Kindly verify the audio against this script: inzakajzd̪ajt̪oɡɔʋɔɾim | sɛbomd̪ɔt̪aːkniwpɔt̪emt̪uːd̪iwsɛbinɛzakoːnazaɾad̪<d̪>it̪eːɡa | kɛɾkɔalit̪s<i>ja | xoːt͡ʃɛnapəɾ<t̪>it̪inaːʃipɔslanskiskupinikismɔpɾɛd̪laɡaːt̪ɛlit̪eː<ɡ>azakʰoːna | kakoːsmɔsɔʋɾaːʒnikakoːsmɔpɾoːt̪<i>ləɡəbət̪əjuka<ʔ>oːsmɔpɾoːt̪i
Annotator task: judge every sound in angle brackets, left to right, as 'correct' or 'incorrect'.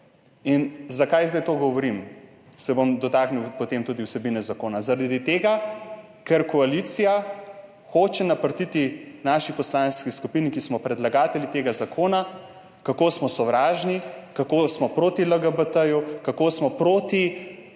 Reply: correct, correct, correct, correct, correct, incorrect

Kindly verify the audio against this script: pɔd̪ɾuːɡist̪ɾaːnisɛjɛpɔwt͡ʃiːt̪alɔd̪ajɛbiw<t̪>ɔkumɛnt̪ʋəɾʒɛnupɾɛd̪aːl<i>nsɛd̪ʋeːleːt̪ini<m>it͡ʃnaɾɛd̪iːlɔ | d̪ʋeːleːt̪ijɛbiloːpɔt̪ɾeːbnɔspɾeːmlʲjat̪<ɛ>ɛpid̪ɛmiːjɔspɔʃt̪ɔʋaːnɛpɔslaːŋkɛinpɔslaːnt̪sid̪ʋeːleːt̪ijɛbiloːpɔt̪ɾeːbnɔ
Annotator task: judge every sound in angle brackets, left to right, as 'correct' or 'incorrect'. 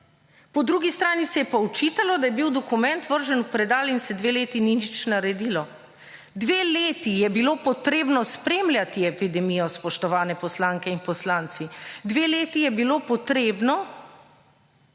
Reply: incorrect, correct, incorrect, incorrect

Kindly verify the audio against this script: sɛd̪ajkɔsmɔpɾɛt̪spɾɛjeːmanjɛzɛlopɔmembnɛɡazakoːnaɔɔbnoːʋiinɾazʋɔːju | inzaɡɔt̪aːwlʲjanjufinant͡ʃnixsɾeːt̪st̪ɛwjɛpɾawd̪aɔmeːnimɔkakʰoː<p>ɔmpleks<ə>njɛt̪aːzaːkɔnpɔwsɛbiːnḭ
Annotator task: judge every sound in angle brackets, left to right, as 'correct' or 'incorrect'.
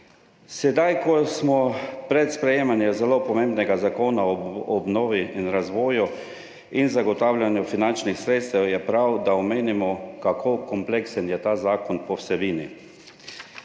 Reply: incorrect, correct

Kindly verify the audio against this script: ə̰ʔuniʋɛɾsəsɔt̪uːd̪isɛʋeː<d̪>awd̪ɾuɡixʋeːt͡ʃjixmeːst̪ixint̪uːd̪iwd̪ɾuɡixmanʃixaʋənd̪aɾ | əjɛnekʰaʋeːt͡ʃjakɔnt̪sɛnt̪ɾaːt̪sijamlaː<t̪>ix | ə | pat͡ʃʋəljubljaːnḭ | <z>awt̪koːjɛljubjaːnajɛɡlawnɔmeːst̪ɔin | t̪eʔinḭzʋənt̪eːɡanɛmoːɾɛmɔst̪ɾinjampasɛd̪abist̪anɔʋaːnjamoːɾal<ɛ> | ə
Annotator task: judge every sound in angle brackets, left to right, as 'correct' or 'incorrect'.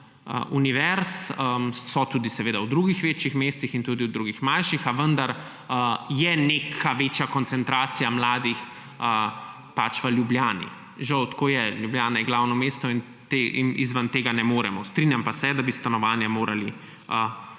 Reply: correct, incorrect, incorrect, incorrect

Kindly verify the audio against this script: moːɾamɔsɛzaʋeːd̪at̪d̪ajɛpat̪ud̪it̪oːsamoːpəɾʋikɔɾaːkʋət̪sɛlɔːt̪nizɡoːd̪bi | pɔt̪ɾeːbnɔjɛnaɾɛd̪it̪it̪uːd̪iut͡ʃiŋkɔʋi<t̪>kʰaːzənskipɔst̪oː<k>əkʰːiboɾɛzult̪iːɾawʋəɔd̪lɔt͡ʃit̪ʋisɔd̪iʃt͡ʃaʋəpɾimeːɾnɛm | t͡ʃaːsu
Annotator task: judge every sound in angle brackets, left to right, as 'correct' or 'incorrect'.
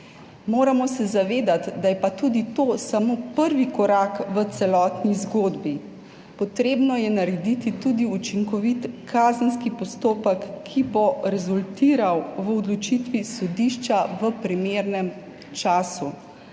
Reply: correct, incorrect

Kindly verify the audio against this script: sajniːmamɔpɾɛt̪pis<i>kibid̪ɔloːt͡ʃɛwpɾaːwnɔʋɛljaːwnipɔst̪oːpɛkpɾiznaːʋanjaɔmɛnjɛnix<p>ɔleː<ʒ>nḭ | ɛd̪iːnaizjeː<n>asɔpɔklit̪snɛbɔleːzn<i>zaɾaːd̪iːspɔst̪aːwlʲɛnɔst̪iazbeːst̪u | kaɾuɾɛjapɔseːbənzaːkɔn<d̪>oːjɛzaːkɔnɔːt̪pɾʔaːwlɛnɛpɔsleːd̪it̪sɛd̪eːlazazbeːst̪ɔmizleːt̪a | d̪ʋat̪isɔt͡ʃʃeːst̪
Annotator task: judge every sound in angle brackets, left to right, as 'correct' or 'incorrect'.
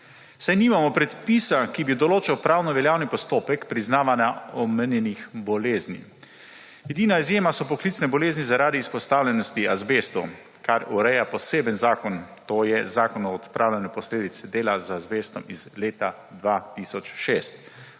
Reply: incorrect, incorrect, incorrect, incorrect, correct, incorrect

